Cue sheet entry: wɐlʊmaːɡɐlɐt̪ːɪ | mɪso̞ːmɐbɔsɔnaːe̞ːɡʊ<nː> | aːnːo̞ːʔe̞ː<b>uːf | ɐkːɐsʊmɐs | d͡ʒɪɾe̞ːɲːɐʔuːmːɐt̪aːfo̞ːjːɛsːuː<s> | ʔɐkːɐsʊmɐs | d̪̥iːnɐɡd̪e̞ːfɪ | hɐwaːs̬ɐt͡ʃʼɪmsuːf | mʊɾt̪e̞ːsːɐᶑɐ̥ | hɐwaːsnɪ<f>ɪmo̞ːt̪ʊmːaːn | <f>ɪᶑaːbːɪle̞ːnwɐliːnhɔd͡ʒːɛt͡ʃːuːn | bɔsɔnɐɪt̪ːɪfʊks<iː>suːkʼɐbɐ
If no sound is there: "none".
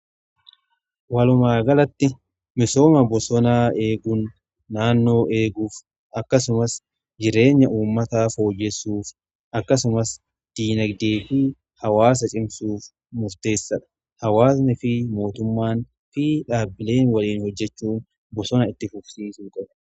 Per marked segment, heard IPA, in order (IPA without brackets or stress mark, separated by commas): nː, ɡ, f, f, f, iː